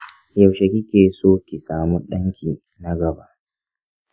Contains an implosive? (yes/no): yes